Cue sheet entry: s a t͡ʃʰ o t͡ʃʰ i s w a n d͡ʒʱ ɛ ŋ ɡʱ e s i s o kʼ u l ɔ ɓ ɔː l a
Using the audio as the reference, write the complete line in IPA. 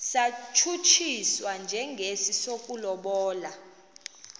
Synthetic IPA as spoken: s a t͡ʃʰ u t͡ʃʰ i s w a n d͡ʒʱ ɛ ŋ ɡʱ e s i s o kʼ u l ɔ ɓ ɔː l a